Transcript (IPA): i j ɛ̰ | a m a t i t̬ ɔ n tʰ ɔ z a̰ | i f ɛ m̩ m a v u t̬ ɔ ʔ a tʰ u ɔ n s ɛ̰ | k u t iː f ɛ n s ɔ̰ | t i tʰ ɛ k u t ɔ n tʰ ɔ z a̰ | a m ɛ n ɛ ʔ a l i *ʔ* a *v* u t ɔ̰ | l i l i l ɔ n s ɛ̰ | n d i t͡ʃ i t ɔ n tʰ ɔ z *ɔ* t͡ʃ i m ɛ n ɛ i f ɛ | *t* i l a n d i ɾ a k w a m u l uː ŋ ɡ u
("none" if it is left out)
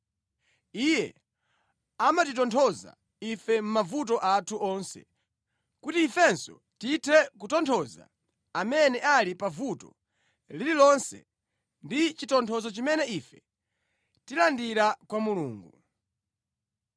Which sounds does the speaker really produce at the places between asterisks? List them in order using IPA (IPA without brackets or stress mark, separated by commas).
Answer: p, v, ɔ, t